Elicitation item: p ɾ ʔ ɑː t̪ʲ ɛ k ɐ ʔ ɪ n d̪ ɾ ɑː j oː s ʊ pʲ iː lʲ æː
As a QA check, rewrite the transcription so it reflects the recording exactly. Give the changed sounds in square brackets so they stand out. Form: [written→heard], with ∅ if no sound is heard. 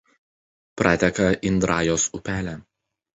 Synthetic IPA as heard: p ɾ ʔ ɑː t̪ʲ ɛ k ɐ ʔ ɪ n d̪ ɾ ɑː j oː s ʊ pʲ [iː→æː] lʲ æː